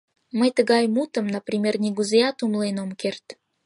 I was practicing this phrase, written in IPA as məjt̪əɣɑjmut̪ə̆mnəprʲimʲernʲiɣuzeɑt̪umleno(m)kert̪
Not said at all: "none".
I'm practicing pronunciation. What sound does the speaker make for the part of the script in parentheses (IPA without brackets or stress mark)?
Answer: m